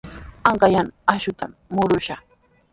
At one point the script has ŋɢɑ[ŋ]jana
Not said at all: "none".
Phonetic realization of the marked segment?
none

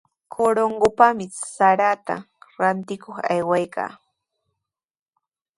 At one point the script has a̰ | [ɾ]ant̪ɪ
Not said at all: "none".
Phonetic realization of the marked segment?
ɾ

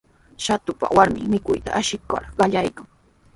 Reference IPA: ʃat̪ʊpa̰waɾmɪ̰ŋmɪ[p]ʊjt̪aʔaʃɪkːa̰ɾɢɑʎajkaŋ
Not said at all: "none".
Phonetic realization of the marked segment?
k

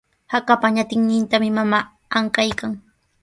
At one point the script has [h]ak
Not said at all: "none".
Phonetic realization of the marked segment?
h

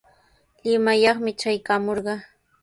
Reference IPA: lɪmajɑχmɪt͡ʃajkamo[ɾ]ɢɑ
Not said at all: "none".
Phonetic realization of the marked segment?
ɾ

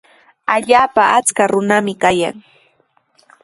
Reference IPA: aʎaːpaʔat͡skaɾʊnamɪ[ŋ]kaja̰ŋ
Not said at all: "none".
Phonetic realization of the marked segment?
none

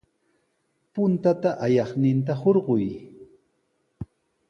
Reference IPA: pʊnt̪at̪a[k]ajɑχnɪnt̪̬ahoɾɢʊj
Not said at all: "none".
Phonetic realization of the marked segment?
ʔ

